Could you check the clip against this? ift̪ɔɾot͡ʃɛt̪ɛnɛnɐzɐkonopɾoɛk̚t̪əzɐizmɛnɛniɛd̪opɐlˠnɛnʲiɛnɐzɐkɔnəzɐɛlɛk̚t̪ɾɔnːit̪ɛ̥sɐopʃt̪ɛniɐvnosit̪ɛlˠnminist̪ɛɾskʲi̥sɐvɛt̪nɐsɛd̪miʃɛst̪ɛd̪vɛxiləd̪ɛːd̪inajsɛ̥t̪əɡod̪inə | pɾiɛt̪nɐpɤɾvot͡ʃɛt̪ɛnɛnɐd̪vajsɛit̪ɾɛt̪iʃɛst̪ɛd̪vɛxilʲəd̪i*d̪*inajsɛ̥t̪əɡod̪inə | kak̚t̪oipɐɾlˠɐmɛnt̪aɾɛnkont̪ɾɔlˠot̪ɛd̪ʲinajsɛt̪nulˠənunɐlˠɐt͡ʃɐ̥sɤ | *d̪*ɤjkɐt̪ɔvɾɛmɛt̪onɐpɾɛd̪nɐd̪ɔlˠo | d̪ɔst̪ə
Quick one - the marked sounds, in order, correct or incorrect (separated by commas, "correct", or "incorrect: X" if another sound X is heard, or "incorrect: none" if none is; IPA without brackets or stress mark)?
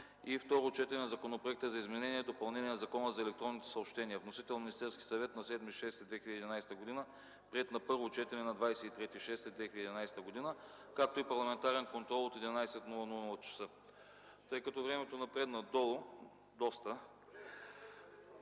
correct, incorrect: t̪